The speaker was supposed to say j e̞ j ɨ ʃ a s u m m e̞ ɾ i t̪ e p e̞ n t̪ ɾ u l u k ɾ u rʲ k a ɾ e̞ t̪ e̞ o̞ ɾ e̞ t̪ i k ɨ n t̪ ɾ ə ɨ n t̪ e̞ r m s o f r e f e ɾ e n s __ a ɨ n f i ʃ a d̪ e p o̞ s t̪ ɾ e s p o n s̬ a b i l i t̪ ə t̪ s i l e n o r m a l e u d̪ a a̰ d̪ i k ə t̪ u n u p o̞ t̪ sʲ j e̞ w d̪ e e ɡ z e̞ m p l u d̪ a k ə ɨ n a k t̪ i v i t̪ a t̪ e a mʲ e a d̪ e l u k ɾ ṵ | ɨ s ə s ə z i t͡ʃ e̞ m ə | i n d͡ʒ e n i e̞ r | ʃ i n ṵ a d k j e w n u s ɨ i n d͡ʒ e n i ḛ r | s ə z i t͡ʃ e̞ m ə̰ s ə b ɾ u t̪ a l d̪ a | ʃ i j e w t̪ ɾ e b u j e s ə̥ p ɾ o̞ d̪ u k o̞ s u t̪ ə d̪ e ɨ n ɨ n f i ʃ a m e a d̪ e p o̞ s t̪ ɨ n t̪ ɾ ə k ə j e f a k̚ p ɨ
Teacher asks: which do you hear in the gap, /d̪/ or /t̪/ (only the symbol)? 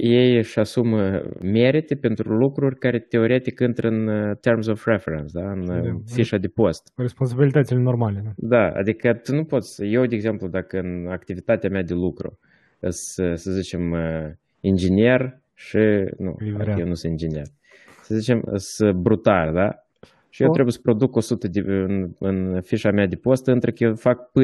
d̪